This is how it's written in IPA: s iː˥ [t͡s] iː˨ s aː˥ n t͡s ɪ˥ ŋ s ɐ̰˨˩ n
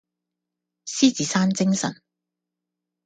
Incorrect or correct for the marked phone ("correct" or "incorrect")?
correct